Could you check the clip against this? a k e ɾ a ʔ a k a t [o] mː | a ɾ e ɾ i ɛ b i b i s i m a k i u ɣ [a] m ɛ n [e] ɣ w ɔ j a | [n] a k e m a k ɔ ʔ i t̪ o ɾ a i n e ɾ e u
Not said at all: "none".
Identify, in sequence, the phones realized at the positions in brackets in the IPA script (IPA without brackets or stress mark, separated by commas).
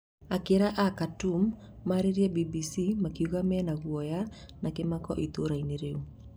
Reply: u, a, a, n